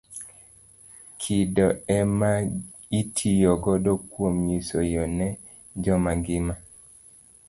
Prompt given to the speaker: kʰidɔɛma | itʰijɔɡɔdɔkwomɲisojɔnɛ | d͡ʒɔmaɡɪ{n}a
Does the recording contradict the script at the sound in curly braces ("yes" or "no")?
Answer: yes